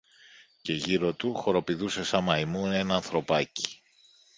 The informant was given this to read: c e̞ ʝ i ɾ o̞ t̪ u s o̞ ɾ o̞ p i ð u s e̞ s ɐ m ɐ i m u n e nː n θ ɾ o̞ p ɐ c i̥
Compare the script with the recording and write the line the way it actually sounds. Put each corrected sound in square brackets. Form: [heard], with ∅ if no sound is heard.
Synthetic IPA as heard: c e̞ ʝ i ɾ o̞ t̪ u [x] o̞ ɾ o̞ p i ð u s e̞ s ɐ m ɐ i m u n e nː n θ ɾ o̞ p ɐ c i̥